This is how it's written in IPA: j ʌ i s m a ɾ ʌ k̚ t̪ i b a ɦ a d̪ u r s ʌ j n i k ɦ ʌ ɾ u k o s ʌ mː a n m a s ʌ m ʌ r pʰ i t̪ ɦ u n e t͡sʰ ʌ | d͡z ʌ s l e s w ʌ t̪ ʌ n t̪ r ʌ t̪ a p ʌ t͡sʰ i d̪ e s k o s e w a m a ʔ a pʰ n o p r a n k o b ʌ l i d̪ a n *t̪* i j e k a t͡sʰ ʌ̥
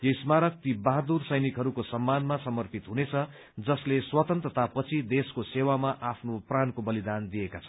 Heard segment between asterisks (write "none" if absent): d̪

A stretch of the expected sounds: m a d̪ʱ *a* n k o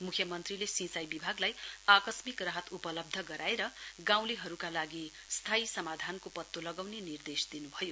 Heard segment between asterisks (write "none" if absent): a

